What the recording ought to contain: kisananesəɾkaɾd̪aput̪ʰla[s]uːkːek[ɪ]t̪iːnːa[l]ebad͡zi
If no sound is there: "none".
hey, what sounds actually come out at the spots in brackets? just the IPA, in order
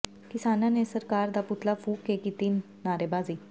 f, i, ɾ

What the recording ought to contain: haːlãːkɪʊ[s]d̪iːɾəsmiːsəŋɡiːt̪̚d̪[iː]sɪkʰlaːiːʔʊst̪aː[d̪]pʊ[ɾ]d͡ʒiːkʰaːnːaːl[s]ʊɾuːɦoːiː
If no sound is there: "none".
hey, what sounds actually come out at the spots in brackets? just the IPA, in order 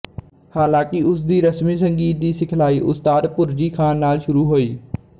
s, iː, d̪, ɾ, ʃ

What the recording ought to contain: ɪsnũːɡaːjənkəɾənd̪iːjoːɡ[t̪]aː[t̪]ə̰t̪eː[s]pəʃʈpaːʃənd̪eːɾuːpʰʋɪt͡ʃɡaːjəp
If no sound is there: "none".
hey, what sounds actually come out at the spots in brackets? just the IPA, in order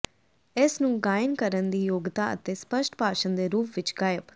t̪, none, s

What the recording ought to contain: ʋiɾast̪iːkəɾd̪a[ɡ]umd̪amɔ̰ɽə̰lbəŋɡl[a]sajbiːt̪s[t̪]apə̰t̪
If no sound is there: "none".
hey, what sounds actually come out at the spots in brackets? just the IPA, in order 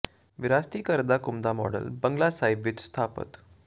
k, a, t̪ʰ

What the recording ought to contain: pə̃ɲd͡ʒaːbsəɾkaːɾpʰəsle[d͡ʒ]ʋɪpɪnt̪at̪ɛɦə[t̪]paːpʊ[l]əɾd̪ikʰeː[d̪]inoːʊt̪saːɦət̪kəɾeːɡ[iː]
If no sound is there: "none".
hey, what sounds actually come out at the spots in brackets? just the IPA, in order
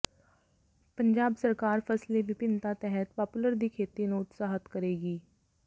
none, t̪, l, t̪, iː

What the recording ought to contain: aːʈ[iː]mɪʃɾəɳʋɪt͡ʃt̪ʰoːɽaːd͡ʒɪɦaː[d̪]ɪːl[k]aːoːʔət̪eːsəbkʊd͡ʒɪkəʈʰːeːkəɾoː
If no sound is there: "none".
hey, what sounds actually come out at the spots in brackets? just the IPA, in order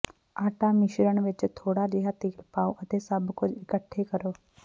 aː, t̪, p

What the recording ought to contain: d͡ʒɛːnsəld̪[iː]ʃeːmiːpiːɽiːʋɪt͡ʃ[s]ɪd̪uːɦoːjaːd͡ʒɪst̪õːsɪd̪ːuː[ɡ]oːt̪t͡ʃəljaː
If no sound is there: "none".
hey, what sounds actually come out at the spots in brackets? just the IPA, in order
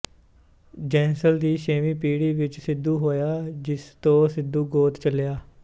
iː, s, ɡ

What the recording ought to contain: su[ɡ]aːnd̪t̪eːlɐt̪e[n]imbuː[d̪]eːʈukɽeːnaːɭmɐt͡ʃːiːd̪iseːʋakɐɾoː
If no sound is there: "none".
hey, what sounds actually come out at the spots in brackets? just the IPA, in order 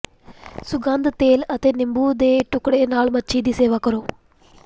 ɡ, n, d̪

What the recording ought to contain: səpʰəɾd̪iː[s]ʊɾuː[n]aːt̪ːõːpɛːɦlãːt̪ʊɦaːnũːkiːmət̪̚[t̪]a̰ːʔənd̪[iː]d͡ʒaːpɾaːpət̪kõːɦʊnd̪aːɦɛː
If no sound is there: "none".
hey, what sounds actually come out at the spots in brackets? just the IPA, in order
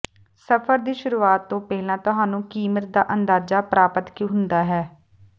ʃ, none, d̪, aː

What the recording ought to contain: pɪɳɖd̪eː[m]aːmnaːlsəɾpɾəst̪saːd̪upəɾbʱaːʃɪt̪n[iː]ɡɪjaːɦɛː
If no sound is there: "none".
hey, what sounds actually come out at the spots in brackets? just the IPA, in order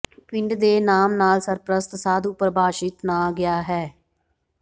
n, aː

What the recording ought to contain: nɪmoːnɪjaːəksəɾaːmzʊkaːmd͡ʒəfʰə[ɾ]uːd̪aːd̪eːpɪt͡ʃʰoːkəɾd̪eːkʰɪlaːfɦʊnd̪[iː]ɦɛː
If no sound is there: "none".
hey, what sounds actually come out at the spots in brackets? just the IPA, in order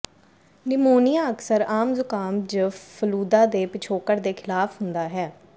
l, aː

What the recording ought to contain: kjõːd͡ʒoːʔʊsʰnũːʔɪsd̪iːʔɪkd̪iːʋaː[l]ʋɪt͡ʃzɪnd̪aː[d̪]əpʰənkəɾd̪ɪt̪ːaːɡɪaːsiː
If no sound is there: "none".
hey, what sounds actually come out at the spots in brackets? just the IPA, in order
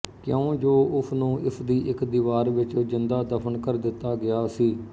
ɾ, d̪

